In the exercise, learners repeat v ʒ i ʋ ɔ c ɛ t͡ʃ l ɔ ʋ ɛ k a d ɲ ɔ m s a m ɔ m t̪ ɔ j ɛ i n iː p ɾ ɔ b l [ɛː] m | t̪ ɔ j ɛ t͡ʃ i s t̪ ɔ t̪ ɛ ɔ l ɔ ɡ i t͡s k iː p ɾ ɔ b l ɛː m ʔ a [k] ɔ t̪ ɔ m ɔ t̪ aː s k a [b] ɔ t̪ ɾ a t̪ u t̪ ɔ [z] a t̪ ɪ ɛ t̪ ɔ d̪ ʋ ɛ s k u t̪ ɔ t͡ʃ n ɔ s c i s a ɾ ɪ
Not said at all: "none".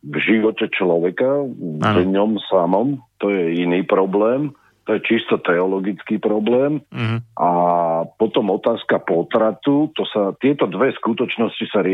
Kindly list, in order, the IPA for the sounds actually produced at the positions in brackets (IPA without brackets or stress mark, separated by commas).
ɛː, p, p, s